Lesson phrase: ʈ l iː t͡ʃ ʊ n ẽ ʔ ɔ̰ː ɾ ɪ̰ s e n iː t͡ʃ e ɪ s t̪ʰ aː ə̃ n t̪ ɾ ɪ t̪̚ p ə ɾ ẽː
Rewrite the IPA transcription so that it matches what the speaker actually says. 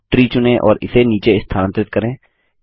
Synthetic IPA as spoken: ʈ ɾ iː t͡ʃ ʊ n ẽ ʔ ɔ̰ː ɾ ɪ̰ s e n iː t͡ʃ e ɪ s t̪ʰ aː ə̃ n t̪ ɾ ɪ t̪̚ k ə ɾ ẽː